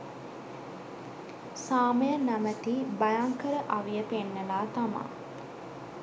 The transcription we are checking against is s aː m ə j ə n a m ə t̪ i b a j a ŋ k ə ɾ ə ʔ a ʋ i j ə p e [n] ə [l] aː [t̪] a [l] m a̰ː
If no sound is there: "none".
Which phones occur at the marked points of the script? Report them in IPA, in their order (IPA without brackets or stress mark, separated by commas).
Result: nː, l, t̪, none